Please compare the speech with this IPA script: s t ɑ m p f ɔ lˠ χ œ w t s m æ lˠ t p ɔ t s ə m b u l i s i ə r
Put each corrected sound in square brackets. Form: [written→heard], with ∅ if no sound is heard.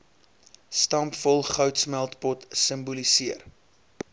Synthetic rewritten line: s t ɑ m p f ɔ lˠ χ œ w t s m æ lˠ t p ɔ t s ə m b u l i s i ə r